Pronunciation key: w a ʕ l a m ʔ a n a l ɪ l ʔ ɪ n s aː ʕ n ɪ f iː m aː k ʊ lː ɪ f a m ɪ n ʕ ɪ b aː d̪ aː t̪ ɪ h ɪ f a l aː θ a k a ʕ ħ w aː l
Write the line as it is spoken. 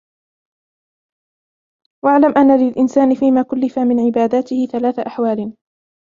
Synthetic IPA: w a ʕ l a m ʔ a nː a l ɪ l ʔ ɪ n s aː n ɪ f iː m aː k ʊ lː ɪ f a m ɪ n ʕ ɪ b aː d̪ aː t̪ ɪ h ɪ θ a l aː θ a ʔ a ħ w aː l